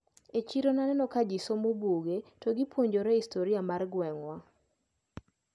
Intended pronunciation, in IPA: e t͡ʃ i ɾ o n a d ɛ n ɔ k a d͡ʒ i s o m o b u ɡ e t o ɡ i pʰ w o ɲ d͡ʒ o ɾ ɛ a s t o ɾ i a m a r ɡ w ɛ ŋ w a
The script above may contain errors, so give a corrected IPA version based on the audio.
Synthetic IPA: e t͡ʃ i ɾ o n a n ɛ n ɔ k a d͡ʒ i s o m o b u ɡ e t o ɡ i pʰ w o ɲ d͡ʒ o ɾ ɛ i s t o ɾ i a m a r ɡ w ɛ ŋ w a